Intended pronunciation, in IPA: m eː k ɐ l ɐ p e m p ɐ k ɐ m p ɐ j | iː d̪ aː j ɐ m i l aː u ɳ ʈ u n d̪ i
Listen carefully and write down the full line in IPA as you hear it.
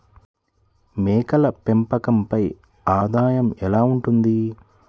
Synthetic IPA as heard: m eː k ɐ l ɐ p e m p ɐ k ɐ m p ɐ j | aː d̪ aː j ɐ m ɛ l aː u ɳ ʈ u n d̪ i